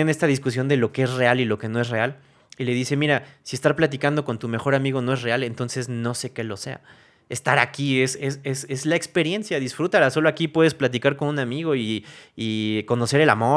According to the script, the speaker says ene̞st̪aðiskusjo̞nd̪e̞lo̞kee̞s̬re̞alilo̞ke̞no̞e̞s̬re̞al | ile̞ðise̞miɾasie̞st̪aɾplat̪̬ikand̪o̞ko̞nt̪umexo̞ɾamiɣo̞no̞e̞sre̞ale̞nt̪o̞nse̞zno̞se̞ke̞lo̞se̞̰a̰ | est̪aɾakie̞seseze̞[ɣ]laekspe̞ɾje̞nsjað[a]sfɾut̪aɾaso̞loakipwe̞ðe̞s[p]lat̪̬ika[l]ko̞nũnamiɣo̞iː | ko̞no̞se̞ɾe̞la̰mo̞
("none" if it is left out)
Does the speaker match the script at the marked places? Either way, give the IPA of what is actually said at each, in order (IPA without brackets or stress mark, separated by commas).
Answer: z, i, p, ɾ